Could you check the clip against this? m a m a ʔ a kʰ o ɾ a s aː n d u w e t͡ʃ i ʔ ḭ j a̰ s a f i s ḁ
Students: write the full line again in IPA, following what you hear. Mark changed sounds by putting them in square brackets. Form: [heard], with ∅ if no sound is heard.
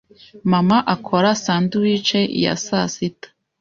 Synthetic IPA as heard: m a m a ʔ a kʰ o ɾ a s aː n d u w [i] t͡ʃ [e] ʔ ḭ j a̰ s a [s] i [t] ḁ